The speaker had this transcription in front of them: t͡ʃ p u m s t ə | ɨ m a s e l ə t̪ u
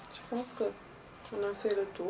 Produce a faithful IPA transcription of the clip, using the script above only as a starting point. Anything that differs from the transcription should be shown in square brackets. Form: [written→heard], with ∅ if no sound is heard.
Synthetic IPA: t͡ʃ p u [m→n] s [t→k] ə | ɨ [m→n] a [s→f] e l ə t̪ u